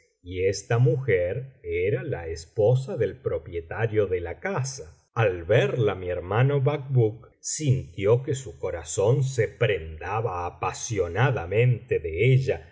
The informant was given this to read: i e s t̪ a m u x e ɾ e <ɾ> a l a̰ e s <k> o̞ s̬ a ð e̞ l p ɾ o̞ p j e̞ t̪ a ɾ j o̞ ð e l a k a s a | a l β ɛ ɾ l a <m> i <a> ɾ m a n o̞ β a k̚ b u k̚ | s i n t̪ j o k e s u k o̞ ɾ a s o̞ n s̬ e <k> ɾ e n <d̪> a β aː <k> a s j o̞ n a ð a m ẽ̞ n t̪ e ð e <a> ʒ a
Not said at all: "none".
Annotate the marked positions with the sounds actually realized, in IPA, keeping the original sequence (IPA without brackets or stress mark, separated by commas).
ɾ, p, m, e, p, d̪, p, e